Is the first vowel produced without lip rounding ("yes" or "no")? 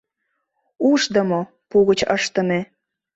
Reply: no